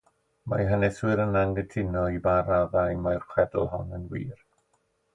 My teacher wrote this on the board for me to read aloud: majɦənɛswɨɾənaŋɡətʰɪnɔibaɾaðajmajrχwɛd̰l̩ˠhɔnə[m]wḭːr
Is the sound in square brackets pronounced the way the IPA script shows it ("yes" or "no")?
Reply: no